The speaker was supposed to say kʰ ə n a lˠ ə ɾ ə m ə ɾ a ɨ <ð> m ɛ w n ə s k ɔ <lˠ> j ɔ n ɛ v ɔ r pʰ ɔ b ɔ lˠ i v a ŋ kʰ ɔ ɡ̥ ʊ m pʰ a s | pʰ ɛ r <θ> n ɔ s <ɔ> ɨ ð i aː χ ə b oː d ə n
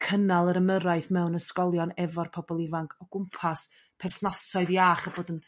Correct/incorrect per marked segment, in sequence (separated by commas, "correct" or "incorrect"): incorrect, correct, correct, correct